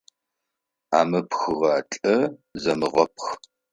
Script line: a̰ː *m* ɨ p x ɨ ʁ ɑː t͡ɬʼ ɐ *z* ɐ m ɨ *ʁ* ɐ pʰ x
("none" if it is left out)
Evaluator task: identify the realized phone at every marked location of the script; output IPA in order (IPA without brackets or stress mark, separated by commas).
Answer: m, z, ʁ